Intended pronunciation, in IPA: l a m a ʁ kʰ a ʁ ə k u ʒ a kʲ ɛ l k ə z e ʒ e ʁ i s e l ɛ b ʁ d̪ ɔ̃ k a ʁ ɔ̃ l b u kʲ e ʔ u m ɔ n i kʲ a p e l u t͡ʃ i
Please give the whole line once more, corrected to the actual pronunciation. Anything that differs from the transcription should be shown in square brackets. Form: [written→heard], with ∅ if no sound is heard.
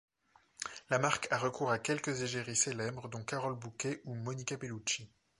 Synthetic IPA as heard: l a m a ʁ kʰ a ʁ ə k u [ʒ→ʁ] a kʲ ɛ l k ə z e ʒ e ʁ i s e l ɛ b ʁ d̪ ɔ̃ k a ʁ [ɔ̃→ɔ] l b u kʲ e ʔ u m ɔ n i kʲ a p e l u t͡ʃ i